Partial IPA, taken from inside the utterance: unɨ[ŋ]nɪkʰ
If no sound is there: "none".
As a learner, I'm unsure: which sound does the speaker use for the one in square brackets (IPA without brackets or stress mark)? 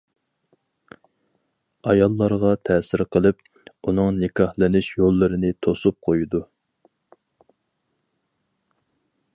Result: ŋ